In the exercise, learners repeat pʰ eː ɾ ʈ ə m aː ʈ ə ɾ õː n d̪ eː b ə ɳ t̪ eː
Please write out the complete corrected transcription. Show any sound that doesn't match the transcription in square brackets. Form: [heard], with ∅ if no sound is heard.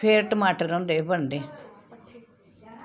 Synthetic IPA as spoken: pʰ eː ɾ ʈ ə m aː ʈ ə ɾ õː n d̪ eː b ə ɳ [d̪] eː